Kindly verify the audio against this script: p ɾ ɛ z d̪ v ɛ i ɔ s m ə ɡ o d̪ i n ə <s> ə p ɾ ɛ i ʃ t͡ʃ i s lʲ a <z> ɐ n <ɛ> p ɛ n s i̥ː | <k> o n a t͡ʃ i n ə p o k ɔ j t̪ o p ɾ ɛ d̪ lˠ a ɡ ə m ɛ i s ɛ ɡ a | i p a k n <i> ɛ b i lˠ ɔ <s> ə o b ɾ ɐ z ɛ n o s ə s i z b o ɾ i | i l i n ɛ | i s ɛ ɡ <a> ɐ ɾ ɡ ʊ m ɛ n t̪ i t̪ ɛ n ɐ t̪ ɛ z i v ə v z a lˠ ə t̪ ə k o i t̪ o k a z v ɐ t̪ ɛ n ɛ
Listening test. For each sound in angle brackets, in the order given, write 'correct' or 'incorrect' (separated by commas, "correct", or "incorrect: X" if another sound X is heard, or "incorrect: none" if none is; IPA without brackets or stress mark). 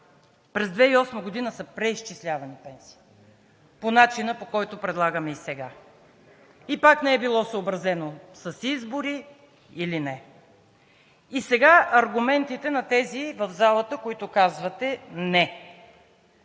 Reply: correct, incorrect: v, incorrect: i, incorrect: p, incorrect: ɛ, correct, correct